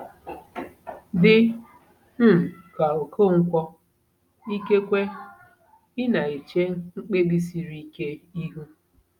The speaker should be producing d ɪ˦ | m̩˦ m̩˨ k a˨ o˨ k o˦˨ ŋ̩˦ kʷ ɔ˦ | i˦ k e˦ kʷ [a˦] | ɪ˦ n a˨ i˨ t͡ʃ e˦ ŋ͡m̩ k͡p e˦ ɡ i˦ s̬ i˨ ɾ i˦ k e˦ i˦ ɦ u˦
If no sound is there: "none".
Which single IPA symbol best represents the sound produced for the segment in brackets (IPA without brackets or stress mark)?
e˦